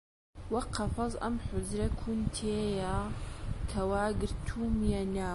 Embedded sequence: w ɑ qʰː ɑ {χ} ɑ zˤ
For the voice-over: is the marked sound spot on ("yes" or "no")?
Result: no